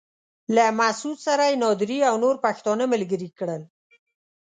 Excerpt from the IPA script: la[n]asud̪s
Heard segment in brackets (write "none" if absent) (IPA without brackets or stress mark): m